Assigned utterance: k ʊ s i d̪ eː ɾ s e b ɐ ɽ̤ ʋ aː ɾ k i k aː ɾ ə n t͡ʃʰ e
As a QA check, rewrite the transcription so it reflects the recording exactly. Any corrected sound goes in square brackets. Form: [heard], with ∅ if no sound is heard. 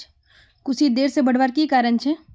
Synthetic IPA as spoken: k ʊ s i d̪ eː ɾ s e b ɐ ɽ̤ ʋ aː ɾ k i k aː ɾ ə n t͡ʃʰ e